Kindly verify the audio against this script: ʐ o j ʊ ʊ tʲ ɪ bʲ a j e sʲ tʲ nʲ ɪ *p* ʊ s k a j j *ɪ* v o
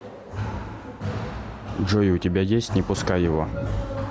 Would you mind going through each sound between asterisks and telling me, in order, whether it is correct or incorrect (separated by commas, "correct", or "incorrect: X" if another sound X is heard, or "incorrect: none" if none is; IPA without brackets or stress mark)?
correct, correct